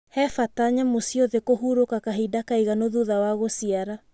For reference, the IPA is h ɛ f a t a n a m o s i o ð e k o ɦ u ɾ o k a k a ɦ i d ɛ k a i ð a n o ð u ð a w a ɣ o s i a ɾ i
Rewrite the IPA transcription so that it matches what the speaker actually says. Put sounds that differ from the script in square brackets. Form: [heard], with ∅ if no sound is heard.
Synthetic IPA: h ɛ f a t a [ɲ] a m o s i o ð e k o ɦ u ɾ o k a k a ɦ i d [a] k a i [ɣ] a n o ð u ð a w a ɣ o s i a ɾ [a]